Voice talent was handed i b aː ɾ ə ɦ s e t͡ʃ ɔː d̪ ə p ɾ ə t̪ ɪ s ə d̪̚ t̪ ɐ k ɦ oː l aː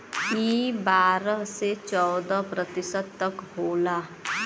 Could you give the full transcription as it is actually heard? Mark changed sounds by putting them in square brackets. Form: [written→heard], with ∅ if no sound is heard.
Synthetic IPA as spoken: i b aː ɾ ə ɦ s e t͡ʃ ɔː d̪ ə p ɾ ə t̪ ɪ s ə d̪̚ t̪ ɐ k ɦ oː l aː